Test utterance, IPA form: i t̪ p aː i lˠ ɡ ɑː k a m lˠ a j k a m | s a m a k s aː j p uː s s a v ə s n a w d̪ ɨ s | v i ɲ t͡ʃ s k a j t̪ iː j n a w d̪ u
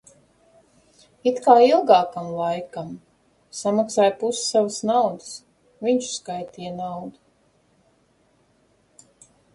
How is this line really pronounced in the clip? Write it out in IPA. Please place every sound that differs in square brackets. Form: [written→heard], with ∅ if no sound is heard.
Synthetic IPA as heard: i t̪ [p→k] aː i lˠ ɡ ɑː k a m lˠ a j k a m | s a m a k s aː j p [uː→u] s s a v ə s n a w d̪ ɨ s | v i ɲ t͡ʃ s k a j t̪ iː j n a w d̪ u